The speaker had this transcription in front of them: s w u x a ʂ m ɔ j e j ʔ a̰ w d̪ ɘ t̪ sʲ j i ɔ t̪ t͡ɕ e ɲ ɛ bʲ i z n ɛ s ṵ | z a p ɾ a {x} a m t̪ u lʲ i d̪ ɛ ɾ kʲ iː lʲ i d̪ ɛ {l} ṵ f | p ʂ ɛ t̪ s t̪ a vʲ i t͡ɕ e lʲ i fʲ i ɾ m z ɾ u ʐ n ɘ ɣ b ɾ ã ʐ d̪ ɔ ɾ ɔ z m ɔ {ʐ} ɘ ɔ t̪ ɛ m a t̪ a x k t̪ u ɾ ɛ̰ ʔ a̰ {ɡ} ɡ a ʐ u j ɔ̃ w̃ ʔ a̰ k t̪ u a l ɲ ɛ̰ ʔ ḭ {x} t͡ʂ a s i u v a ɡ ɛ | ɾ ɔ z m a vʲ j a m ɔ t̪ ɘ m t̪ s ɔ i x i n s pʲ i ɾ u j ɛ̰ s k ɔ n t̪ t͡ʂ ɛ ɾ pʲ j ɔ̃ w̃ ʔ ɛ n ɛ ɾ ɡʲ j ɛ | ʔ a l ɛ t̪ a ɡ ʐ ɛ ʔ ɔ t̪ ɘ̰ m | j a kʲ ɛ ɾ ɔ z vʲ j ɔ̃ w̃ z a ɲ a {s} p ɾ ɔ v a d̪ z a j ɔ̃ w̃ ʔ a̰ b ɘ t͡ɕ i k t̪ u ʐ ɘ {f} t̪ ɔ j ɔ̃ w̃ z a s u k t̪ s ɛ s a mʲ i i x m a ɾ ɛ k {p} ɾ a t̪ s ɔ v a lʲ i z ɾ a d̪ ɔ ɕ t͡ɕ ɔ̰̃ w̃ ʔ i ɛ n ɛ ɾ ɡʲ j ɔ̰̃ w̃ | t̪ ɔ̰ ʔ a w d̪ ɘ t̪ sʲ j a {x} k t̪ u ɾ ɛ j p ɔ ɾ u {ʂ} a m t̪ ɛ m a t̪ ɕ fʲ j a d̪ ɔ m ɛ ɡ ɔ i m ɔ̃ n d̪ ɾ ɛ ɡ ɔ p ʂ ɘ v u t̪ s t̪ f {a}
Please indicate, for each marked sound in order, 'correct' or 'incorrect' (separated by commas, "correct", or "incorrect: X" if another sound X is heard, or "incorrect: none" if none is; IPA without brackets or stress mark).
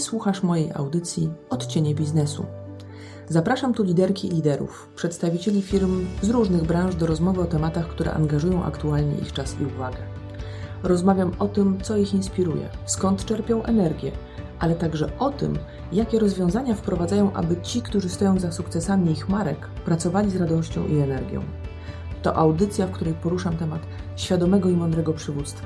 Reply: incorrect: ʂ, incorrect: ɾ, incorrect: v, incorrect: ŋ, correct, incorrect: f, incorrect: s, correct, incorrect: f, correct, correct